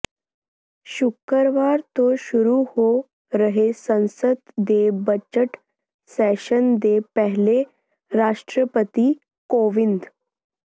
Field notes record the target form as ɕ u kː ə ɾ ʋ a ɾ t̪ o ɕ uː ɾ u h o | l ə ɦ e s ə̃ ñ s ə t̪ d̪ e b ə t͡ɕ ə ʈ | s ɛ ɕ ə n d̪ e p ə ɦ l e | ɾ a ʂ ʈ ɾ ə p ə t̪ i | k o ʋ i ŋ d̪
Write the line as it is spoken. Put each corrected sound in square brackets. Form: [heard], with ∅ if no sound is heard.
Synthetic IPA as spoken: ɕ u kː ə ɾ ʋ a ɾ t̪ o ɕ [u] ɾ u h o | [ɾ] ə ɦ e s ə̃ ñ s ə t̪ d̪ e b ə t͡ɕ ə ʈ | s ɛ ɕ ə n d̪ e p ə ɦ l e | ɾ a ʂ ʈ ɾ ə p ə t̪ i | k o ʋ i [n] d̪